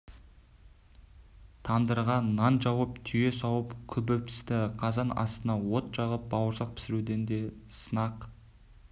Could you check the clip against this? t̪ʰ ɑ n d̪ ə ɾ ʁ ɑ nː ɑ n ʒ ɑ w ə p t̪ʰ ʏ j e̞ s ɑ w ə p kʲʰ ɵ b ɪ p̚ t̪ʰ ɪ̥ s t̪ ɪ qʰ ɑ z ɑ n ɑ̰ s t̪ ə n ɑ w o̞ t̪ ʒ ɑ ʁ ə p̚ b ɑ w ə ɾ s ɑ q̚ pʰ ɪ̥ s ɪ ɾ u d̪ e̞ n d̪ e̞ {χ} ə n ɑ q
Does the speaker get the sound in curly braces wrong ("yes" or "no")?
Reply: yes